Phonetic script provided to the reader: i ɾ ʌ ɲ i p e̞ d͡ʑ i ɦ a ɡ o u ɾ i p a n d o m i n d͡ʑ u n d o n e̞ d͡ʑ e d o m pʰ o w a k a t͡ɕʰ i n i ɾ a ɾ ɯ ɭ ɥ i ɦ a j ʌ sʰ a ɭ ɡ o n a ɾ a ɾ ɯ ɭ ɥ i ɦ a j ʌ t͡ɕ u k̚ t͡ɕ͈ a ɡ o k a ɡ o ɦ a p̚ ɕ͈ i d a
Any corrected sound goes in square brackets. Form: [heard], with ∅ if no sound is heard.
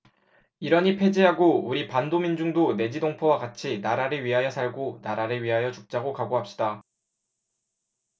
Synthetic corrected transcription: i ɾ ʌ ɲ i [pʰ] e̞ d͡ʑ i ɦ a ɡ o u ɾ i p a n d o m i n d͡ʑ u [ŋ] d o n e̞ d͡ʑ [i] d o [ŋ] pʰ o w a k a t͡ɕʰ i n [a] ɾ a ɾ ɯ ɭ ɥ i ɦ a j ʌ sʰ a ɭ ɡ o n a ɾ a ɾ ɯ ɭ ɥ i ɦ a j ʌ t͡ɕ u k̚ t͡ɕ͈ a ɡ o k a ɡ o ɦ a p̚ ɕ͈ i d a